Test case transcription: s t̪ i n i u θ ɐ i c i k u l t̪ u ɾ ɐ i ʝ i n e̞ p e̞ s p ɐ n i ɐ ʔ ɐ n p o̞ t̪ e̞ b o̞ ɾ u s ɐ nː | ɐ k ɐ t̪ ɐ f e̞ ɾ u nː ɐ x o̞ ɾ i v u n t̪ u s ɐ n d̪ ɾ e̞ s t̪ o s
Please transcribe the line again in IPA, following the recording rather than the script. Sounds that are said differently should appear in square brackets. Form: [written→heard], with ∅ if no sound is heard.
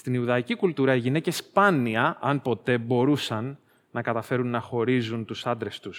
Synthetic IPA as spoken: s t̪ i n i u [θ→ð] ɐ i c i k u l t̪ u ɾ ɐ i ʝ i n e̞ [p→c] e̞ s p ɐ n i ɐ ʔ ɐ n p o̞ t̪ e̞ b o̞ ɾ u s ɐ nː | ɐ k ɐ t̪ ɐ f e̞ ɾ u nː ɐ x o̞ ɾ i [v→z] u n t̪ u s ɐ n d̪ ɾ e̞ s t̪ [o→u] s